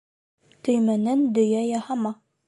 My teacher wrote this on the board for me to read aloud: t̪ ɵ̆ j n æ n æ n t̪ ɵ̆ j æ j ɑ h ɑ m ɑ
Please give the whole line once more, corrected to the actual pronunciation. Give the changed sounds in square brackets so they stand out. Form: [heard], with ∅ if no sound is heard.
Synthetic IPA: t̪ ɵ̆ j [m] æ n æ n [d̪] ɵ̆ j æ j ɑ h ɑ m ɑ